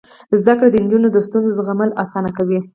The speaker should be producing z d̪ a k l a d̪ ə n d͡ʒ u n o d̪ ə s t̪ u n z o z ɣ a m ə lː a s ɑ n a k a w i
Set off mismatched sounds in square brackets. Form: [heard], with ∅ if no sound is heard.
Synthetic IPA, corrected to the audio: z d̪ a k [ɽ] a d̪ ə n d͡ʒ u n o d̪ ə s t̪ u n z o z ɣ a m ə [l] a s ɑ n a k a w i